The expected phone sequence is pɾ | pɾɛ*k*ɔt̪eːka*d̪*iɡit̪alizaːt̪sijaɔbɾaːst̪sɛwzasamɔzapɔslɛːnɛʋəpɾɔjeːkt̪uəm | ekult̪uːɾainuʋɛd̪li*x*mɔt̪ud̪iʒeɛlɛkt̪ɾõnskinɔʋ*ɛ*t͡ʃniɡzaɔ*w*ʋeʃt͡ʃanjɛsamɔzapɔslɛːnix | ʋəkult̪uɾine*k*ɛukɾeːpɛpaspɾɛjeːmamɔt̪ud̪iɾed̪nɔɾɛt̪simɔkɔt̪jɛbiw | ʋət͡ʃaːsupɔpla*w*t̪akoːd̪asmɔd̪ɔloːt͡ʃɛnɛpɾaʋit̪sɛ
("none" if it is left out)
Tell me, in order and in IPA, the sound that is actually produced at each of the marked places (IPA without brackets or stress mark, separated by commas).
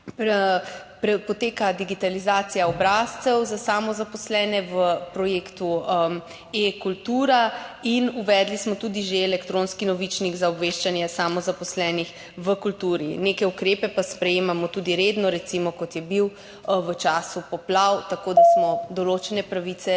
p, d̪, s, i, b, k, w